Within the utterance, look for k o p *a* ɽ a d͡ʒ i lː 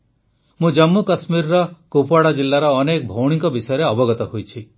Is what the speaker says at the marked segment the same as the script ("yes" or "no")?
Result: yes